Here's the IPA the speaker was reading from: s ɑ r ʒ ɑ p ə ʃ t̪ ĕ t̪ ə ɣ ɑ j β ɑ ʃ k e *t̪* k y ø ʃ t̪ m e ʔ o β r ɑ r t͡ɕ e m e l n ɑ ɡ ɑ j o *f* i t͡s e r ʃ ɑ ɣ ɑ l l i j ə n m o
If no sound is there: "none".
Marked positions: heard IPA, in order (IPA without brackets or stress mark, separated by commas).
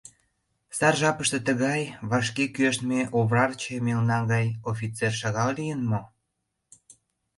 none, f